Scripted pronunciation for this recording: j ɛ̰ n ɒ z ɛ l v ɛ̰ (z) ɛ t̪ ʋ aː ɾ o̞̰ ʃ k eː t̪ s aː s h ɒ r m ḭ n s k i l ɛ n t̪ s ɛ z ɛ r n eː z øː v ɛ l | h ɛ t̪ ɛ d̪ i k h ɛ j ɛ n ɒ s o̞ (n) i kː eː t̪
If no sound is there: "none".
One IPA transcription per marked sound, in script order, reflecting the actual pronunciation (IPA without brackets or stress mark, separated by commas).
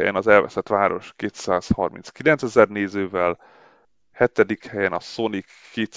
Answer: s, n